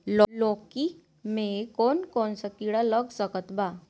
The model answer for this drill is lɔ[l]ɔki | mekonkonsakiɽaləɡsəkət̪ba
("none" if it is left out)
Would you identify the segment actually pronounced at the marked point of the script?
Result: l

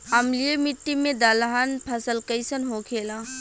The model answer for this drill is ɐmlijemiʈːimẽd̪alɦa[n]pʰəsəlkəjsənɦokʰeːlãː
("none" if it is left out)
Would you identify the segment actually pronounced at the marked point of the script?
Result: n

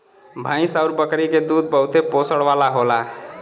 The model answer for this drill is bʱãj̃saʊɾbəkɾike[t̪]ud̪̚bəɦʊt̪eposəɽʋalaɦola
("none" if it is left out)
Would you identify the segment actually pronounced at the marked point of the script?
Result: d̪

